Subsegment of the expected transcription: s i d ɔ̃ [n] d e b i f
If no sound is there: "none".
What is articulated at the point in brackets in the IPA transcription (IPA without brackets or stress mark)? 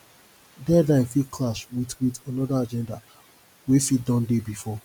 n